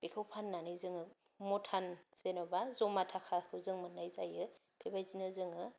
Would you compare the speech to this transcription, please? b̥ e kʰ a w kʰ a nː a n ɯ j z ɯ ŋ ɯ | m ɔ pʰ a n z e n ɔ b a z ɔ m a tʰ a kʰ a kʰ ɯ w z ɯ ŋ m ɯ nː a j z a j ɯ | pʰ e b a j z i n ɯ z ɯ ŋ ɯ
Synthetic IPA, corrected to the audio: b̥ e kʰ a w pʰ a nː a n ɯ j z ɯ ŋ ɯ | m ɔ tʰ a n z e n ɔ b a z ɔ m a tʰ a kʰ a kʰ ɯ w z ɯ ŋ m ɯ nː a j z a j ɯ | pʰ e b a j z i n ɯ z ɯ ŋ ɯ